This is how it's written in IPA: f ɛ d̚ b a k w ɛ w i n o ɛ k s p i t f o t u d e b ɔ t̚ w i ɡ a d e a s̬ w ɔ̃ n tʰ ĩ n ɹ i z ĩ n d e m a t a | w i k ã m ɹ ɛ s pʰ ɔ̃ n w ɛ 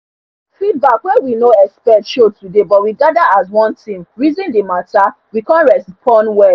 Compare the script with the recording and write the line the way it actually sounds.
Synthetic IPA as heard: f i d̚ b a k w ɛ w i n o ɛ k s p ɛ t ʃ o t u d e b ɔ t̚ w i ɡ a d a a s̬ w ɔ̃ n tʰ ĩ m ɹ i z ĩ n d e m a t a | w i k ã n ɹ ɛ s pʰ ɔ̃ n w ɛ